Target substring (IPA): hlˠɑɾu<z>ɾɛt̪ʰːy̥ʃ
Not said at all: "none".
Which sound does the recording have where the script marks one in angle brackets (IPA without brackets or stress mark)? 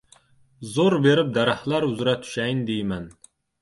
z